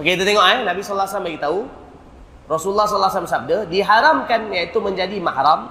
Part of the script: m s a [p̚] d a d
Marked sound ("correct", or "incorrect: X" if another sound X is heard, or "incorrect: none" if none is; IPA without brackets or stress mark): incorrect: b̚